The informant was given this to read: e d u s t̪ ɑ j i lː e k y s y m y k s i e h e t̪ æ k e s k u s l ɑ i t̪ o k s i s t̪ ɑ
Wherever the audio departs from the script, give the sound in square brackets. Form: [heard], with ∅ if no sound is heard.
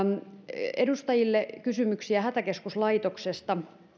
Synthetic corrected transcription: e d u s t̪ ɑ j i lː e k y s y m y k s i [æ] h [æ] t̪ æ k e s k u s l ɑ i t̪ o k s [e] s t̪ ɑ